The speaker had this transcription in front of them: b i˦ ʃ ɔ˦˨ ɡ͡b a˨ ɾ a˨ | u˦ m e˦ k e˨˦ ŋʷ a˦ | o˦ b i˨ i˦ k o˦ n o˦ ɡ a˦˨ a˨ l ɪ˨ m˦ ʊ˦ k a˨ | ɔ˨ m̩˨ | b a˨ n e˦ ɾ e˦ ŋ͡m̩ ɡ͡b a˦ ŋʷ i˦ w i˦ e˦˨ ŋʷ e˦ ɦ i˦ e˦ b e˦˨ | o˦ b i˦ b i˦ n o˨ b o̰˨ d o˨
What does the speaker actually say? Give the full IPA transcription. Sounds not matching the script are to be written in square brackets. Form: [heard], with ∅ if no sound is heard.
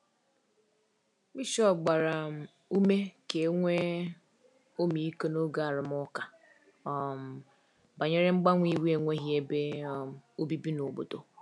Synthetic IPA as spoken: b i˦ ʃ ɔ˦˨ ɡ͡b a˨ ɾ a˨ | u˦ m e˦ k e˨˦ ŋʷ [e˦] | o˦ [m] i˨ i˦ k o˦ n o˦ ɡ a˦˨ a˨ [ɾ] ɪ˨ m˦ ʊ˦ k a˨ | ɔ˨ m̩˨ | b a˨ [ɲ] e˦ ɾ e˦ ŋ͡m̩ ɡ͡b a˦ ŋʷ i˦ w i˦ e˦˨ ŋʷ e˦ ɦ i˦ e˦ b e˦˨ | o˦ b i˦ b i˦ n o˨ b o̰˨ d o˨